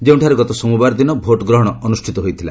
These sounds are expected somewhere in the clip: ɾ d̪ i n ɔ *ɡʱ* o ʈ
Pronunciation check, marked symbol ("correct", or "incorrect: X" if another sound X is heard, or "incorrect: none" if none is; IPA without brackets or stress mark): incorrect: bʱ